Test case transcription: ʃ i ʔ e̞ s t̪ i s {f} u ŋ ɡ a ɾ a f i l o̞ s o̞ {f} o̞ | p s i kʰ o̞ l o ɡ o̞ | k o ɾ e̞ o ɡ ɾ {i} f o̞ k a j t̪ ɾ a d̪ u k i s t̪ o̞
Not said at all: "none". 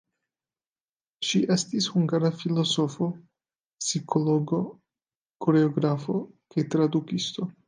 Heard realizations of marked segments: h, f, a

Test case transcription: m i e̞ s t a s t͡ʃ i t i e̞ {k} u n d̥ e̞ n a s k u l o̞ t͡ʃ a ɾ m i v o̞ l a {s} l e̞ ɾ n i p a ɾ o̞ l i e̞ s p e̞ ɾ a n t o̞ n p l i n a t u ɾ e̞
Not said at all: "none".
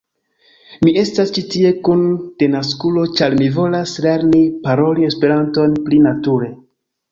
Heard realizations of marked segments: k, s

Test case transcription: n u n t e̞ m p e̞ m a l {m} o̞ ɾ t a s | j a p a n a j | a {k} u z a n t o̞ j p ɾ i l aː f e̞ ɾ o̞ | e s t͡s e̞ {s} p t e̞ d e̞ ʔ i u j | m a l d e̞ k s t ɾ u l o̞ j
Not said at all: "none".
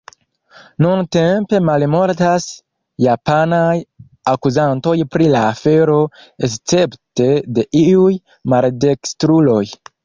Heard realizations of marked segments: m, k, none

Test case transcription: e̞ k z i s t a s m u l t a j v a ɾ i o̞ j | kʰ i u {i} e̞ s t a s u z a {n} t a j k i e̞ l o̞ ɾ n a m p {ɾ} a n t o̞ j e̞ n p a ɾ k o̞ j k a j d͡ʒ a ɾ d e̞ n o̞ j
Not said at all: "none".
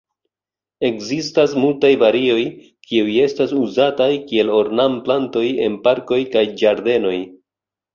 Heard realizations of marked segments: j, none, l

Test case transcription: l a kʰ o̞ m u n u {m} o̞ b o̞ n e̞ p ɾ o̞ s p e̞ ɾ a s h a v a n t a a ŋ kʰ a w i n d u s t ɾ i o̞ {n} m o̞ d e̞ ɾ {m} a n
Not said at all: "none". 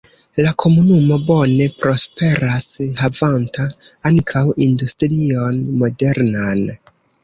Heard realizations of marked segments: m, n, n

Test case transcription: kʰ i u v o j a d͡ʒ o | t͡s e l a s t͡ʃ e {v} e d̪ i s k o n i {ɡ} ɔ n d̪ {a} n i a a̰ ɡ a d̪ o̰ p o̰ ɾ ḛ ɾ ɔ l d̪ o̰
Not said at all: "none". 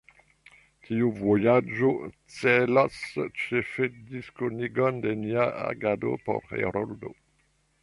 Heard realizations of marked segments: f, ɡ, e

